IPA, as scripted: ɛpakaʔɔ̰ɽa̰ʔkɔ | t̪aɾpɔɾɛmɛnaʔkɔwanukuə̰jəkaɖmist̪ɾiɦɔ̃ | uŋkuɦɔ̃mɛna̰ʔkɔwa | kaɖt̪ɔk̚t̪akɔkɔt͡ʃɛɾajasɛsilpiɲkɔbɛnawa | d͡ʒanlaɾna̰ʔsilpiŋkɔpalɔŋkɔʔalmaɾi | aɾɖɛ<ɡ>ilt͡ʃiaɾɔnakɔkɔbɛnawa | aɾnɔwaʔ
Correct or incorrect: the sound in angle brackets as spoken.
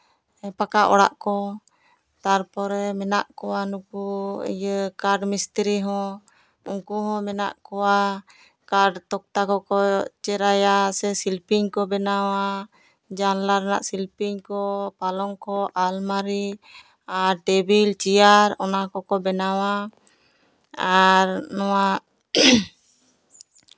incorrect: b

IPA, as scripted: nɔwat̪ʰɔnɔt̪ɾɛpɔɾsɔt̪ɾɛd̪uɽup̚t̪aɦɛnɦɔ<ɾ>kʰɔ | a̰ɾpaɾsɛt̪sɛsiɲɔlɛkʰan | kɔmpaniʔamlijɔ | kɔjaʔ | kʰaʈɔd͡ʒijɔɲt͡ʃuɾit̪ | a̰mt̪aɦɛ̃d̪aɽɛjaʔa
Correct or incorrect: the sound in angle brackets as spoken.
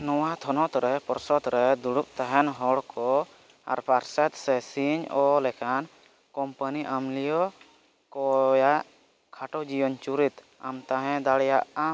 incorrect: ɽ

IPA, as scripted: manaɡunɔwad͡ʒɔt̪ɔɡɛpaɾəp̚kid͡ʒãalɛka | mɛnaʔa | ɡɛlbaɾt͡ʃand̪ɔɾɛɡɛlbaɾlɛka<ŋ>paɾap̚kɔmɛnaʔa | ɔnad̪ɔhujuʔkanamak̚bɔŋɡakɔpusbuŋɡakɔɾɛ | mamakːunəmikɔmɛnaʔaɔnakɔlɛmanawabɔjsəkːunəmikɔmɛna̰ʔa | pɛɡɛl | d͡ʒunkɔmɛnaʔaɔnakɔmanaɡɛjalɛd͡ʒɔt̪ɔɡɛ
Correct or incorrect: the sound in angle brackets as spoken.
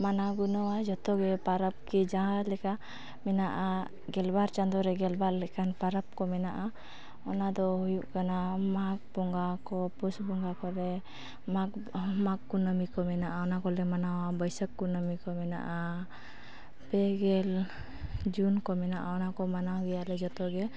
incorrect: n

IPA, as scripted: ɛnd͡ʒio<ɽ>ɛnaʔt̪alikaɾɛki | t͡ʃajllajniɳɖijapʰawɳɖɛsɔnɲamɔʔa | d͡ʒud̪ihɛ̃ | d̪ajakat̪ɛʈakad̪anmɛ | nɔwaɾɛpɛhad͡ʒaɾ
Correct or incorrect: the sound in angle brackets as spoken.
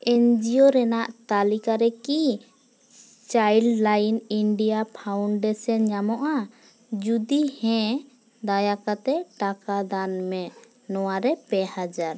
incorrect: ɾ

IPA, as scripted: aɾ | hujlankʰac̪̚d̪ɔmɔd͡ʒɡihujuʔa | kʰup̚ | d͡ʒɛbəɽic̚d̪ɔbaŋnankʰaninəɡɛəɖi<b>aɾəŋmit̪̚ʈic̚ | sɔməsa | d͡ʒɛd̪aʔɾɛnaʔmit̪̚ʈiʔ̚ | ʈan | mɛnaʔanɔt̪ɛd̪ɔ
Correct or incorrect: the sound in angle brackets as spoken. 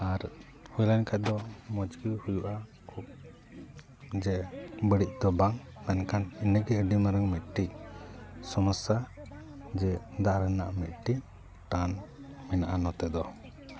incorrect: m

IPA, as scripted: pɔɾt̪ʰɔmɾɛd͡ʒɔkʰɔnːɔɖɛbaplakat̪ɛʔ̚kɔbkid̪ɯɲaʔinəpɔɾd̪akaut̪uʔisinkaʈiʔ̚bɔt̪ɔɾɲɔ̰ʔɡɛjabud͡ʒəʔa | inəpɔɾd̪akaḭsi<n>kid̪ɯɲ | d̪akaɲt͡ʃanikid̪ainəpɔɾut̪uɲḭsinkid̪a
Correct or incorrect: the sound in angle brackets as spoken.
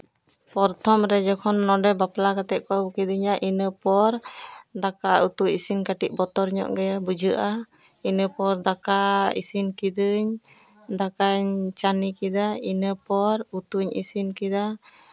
correct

